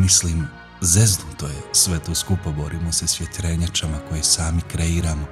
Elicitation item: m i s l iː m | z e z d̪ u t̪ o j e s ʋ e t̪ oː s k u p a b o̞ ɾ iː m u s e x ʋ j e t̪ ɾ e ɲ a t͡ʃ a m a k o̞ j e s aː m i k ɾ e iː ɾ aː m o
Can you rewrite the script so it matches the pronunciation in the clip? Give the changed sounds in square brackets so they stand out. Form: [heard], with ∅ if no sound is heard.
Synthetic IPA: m i s l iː m | z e z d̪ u t̪ o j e s ʋ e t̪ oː s k u p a b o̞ ɾ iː m [o] s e [s] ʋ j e t̪ ɾ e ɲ a t͡ʃ a m a k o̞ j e s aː m i k ɾ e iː ɾ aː m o